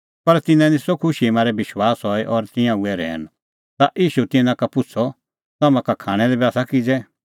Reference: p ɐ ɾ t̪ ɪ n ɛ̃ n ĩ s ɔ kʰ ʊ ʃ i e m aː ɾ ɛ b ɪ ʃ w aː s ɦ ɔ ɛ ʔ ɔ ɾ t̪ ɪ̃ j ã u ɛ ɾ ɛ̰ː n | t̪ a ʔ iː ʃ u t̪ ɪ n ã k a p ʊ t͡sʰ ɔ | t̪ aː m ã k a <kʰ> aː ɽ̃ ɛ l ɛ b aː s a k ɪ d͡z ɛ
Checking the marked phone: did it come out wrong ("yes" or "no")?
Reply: no